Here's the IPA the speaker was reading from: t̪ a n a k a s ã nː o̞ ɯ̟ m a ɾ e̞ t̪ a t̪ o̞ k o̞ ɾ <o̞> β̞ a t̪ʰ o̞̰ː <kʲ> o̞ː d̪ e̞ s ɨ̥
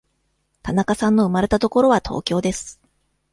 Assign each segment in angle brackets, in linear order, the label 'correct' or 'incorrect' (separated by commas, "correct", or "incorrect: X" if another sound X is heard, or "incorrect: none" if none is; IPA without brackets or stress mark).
correct, correct